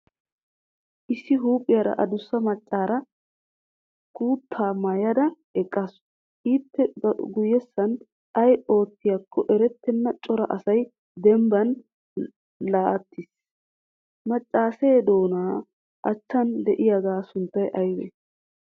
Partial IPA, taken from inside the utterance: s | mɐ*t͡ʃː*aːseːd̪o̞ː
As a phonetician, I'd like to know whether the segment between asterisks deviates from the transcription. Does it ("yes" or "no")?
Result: yes